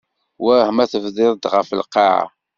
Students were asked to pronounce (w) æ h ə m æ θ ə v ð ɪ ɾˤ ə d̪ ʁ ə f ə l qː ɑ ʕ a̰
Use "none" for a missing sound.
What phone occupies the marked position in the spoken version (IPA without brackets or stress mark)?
w